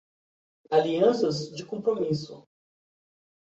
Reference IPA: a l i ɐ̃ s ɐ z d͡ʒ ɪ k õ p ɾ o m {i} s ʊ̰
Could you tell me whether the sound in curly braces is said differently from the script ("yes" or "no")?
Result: no